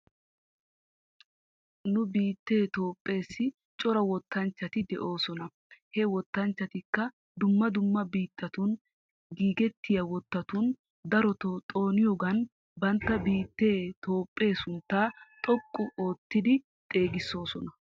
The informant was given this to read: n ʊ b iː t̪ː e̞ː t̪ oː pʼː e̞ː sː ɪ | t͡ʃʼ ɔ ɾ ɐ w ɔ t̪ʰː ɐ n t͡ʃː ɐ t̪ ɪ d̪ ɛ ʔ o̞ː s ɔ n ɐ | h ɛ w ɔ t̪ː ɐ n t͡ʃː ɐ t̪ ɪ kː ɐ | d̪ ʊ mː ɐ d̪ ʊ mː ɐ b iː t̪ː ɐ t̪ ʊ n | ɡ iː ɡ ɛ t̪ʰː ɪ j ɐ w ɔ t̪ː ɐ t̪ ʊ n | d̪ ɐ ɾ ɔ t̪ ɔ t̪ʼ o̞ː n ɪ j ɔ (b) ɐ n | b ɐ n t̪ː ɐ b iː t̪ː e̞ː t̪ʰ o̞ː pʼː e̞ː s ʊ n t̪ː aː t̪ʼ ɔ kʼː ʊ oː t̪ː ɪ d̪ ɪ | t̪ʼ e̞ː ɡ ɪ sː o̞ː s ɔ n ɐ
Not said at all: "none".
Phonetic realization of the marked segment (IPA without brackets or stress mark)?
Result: ɡ